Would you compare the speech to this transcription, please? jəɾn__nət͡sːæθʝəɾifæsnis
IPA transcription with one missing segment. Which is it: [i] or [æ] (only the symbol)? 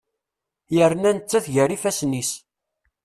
æ